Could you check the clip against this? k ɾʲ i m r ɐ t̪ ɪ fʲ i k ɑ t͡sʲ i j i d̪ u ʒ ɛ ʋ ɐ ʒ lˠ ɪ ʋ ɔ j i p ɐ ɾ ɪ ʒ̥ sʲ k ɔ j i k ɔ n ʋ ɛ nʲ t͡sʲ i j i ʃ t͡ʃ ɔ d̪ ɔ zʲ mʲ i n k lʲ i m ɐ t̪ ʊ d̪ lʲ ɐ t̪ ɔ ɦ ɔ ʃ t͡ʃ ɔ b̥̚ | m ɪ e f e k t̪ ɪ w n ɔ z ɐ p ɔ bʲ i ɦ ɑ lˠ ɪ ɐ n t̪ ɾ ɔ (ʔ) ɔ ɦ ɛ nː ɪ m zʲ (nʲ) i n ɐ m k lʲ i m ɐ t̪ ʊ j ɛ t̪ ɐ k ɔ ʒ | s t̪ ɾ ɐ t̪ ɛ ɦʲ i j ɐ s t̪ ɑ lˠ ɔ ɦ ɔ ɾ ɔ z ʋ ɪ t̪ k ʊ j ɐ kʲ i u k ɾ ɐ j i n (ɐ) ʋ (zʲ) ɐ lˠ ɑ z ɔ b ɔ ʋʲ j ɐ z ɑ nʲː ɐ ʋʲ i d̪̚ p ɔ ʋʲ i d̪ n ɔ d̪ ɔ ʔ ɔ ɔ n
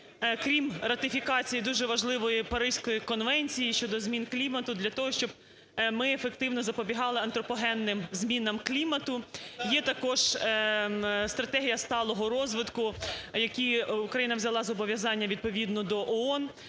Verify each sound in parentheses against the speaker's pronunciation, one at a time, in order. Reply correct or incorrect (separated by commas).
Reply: incorrect, incorrect, correct, correct